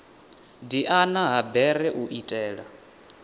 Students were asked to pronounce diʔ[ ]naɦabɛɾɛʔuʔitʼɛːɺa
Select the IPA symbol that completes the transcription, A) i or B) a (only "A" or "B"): B